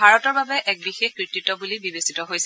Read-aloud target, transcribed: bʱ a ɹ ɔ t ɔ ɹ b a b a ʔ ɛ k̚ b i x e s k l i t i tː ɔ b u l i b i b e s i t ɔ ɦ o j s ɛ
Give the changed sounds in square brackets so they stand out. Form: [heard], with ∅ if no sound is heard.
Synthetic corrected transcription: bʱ a ɹ ɔ t ɔ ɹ b a b [ɛ] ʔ ɛ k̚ b i x e [x] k [ɹ] i t i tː ɔ b u l i b i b e s i t ɔ ɦ o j s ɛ

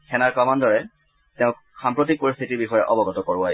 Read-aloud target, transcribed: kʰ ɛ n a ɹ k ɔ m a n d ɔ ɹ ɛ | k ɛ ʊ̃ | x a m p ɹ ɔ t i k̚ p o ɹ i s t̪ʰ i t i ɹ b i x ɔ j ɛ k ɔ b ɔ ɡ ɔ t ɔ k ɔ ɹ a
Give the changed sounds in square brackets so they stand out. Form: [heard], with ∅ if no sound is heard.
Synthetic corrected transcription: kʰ ɛ n a ɹ k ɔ m a n d ɔ ɹ ɛ | [t] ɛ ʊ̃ | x a m p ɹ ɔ t i k̚ p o ɹ i s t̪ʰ i t i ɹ b i x ɔ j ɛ [ʔ] ɔ b ɔ ɡ ɔ t ɔ k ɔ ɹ a

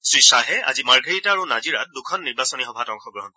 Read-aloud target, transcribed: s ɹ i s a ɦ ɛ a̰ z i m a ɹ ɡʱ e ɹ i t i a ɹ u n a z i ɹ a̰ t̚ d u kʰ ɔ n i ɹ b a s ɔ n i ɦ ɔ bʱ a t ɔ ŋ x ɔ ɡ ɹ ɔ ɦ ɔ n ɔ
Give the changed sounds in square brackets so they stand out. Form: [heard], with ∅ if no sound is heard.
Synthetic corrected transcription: s ɹ i s a ɦ ɛ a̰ z i m a ɹ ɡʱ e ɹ i t [a] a ɹ u n a z i ɹ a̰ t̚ d u kʰ ɔ [nː] i ɹ b a s ɔ n i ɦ ɔ bʱ a t ɔ ŋ x ɔ ɡ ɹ ɔ ɦ ɔ n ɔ

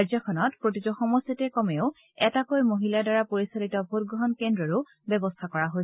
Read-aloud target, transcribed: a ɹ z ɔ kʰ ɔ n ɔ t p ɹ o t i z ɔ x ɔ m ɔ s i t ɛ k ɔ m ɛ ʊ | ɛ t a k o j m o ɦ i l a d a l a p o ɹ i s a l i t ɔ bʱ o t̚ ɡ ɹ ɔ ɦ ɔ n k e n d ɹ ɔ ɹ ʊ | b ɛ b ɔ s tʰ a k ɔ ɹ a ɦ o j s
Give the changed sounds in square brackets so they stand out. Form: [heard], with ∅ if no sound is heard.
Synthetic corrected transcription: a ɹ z ɔ kʰ ɔ n ɔ t p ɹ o t i z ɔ x ɔ m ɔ s i t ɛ k ɔ m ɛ ʊ | ɛ t a k o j m o ɦ i l a d a [ɹ] a p o ɹ i s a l i t ɔ bʱ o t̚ ɡ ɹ ɔ ɦ ɔ n k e n d ɹ ɔ ɹ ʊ | b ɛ b ɔ s tʰ a k ɔ ɹ a ɦ o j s

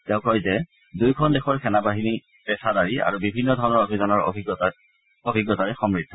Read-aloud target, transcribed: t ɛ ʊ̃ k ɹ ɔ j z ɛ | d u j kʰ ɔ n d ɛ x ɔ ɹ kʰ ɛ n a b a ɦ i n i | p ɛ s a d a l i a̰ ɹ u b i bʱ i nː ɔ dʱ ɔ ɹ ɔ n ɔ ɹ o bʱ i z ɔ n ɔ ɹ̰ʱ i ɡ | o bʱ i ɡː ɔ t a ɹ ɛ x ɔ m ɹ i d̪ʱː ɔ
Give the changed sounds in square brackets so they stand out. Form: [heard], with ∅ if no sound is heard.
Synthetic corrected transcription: t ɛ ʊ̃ k ɹ ɔ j z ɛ | d u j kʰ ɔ n d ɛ x ɔ ɹ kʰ ɛ n a b a ɦ i n i | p ɛ s a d a [ɹ] i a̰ ɹ u b i bʱ i nː ɔ dʱ ɔ ɹ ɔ n ɔ ɹ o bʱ i z ɔ n ɔ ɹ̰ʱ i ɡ | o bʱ i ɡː ɔ t a ɹ ɛ x ɔ m ɹ i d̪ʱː ɔ

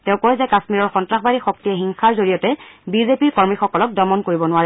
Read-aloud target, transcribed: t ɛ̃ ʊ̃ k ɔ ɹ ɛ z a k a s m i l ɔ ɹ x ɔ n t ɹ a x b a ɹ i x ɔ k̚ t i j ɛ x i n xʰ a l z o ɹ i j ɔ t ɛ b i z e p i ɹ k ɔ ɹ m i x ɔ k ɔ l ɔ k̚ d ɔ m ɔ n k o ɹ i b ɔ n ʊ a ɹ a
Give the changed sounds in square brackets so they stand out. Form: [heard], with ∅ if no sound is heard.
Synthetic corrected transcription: t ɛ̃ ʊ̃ k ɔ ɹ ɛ z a k a s m i [ɹ] ɔ ɹ x ɔ n t ɹ a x b a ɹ i x ɔ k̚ t i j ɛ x i [ŋ] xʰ a [ɹ] z o ɹ i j ɔ t ɛ b i z e p i ɹ k ɔ ɹ m i x ɔ k ɔ l ɔ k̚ d ɔ m ɔ n k o ɹ i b ɔ n ʊ a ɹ [ɛ]

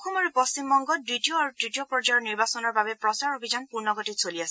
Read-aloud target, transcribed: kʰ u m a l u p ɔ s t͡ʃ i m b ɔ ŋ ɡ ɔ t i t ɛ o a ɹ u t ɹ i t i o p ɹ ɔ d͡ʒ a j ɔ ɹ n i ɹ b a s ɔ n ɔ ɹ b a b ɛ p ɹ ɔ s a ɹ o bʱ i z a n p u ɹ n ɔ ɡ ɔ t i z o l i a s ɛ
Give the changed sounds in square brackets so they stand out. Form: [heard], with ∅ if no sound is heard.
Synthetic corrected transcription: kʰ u m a [ɹ] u p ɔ s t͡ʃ i m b ɔ ŋ ɡ ɔ [d] i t [i] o a ɹ u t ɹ i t i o p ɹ ɔ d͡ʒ a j ɔ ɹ n i ɹ b a s ɔ n ɔ ɹ b a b ɛ p ɹ ɔ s a ɹ o bʱ i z a n p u ɹ n ɔ ɡ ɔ t i [s] o l i a s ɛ

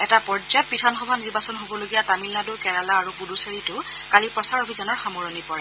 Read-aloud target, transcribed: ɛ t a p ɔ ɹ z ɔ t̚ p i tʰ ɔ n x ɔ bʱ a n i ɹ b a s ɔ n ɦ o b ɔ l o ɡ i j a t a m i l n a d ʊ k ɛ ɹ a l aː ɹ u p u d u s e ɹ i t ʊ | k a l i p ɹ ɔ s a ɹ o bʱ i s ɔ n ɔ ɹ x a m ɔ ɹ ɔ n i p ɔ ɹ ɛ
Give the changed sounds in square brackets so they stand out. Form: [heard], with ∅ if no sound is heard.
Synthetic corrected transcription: ɛ t a p ɔ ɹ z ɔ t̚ p i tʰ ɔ n x ɔ bʱ a n i ɹ b a s ɔ n ɦ o b ɔ l o ɡ i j a t a m i l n a d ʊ k ɛ ɹ a l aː ɹ u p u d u s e ɹ i t ʊ | k a l i p ɹ ɔ s a ɹ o bʱ i [z] ɔ n ɔ ɹ x a m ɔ ɹ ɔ n i p ɔ ɹ ɛ

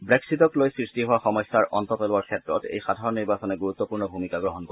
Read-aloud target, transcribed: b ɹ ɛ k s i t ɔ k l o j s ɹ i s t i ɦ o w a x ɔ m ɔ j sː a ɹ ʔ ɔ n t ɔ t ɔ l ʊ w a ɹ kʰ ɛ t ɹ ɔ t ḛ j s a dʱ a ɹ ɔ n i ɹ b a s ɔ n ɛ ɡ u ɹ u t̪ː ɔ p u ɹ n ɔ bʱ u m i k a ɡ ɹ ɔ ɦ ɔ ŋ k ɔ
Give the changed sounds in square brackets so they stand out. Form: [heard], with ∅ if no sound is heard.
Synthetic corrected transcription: b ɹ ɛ k s i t ɔ k l o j s ɹ i s t i ɦ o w a x ɔ m ɔ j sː a ɹ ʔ ɔ n t ɔ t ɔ l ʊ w a ɹ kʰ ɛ t ɹ ɔ t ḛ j [x] a dʱ a ɹ ɔ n i ɹ b a s ɔ n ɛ ɡ u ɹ u t̪ː ɔ p u ɹ n ɔ bʱ u m i k a ɡ ɹ ɔ ɦ ɔ [n] k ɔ

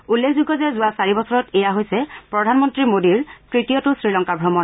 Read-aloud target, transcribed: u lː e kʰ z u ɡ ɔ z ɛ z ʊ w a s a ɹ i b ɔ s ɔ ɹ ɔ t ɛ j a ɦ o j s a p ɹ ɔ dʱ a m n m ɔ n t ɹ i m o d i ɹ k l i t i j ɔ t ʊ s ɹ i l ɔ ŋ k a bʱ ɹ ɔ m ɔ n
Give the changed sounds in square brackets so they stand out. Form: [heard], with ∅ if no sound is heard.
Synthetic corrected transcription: u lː e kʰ z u ɡ ɔ z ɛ z ʊ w a s a ɹ i b ɔ s ɔ ɹ ɔ t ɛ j a ɦ o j s [ɛ] p ɹ ɔ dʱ a [∅] n m ɔ n t ɹ i m o d i ɹ k [ɹ] i t i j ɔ t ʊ s ɹ i l ɔ ŋ k a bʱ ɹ ɔ m ɔ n

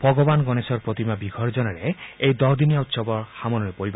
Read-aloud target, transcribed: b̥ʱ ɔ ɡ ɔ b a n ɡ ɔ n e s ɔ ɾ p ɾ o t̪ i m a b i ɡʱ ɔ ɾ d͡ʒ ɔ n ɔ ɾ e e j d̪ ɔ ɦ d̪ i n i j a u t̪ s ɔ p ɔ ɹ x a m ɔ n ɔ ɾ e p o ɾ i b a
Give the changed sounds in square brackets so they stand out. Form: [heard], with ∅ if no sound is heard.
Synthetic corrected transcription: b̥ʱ ɔ ɡ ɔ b a n ɡ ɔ n e s ɔ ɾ p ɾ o t̪ i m a b i ɡʱ ɔ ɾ d͡ʒ ɔ n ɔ ɾ e e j d̪ ɔ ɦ d̪ i n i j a u t̪ s ɔ [b] ɔ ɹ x a m ɔ n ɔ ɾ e p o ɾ i b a

